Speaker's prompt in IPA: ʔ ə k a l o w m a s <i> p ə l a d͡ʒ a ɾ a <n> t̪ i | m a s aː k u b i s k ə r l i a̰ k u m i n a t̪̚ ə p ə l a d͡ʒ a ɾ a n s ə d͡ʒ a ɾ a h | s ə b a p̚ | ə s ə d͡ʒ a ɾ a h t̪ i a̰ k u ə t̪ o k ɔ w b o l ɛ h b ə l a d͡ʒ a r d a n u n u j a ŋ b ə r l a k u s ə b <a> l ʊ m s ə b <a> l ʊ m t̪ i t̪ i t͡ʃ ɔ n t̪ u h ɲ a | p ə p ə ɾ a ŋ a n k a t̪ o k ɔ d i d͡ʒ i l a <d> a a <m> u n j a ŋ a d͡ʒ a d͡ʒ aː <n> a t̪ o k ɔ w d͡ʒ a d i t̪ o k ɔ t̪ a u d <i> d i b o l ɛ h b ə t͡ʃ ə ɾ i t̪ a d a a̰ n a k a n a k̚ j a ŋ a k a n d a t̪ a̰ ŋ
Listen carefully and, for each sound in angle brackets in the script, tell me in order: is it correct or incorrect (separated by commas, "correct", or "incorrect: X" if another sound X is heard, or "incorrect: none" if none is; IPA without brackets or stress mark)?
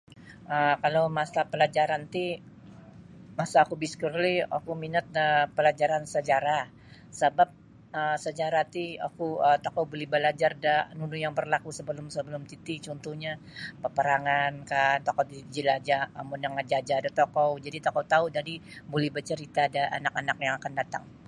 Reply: incorrect: a, correct, incorrect: ə, incorrect: ə, incorrect: d͡ʒ, correct, incorrect: d, incorrect: a